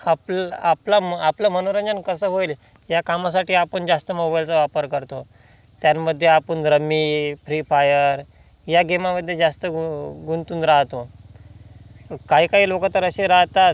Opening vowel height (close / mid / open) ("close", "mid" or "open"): open